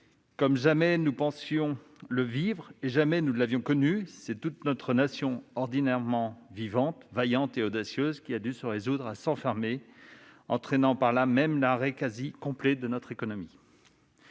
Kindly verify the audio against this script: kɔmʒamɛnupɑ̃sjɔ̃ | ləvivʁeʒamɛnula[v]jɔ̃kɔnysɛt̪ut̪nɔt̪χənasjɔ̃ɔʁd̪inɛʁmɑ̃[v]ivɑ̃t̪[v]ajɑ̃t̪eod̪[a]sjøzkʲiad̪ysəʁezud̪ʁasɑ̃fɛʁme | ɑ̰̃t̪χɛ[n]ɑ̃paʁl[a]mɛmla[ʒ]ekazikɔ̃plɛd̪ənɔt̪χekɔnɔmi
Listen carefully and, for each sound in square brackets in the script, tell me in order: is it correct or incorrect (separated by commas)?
correct, correct, correct, correct, correct, correct, incorrect